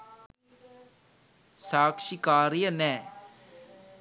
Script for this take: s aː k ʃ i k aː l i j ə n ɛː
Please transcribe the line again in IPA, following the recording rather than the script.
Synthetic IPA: s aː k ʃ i k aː ɾ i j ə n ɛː